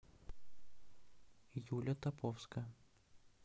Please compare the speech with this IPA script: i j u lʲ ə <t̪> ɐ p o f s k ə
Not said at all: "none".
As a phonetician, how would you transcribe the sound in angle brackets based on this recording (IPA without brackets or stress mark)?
t̪